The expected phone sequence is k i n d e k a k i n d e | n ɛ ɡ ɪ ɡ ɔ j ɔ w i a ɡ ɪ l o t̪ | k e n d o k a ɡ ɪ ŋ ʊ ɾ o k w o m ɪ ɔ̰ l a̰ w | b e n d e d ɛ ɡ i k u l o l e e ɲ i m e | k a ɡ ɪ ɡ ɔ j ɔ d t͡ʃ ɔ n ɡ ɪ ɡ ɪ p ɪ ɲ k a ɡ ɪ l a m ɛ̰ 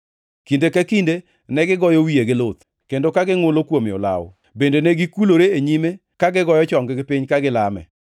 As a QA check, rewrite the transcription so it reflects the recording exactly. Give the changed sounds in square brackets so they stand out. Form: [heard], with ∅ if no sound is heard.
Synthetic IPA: k i n d e k a k i n d e | n ɛ ɡ ɪ ɡ ɔ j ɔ w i [e] ɡ ɪ l o t̪ | k e n d o k a ɡ ɪ ŋ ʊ [l] o k w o m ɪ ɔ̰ l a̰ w | b e n d e [n] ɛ ɡ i k u l o [ɾ] e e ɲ i m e | k a ɡ ɪ ɡ ɔ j ɔ [∅] t͡ʃ ɔ [ŋ] ɡ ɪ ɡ ɪ p ɪ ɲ k a ɡ ɪ l a m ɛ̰